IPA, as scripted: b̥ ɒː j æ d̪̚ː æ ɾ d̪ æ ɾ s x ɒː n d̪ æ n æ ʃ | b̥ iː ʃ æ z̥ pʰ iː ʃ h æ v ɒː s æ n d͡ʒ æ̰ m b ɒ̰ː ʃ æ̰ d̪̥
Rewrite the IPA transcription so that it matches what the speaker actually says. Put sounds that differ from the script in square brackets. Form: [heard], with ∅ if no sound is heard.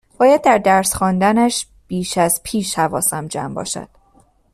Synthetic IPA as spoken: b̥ ɒː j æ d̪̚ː æ ɾ d̪ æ ɾ s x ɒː n d̪ æ n æ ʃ | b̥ iː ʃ æ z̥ pʰ iː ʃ h æ v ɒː s æ [m] d͡ʒ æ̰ m b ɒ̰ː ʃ æ̰ d̪̥